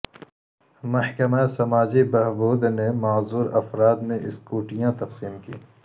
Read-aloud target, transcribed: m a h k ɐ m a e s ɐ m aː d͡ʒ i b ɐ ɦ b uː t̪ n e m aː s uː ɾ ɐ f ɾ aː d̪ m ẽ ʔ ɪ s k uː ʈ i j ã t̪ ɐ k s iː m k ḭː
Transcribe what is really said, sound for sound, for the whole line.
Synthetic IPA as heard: m ɐ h k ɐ m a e s ɐ m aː d͡ʒ i b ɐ ɦ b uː d̪ n e m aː z uː ɾ ɐ f ɾ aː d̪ m ẽ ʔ ɪ s k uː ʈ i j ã t̪ ɐ q s iː m k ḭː